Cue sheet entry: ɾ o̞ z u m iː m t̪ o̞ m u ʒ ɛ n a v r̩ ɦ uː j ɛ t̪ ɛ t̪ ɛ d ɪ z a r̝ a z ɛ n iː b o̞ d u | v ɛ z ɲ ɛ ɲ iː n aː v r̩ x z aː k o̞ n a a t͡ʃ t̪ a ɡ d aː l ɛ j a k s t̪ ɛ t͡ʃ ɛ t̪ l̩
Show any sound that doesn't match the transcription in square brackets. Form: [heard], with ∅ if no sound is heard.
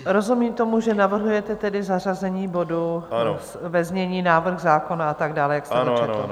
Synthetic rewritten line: ɾ o̞ z u m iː m t̪ o̞ m u ʒ ɛ n a v r̩ ɦ [u] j ɛ t̪ ɛ t̪ ɛ d ɪ z a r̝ a z ɛ [ɲ] iː b o̞ d u | v ɛ z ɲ ɛ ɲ iː n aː v r̩ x z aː k o̞ n a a [∅] t̪ a ɡ d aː l ɛ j a k s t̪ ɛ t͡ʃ ɛ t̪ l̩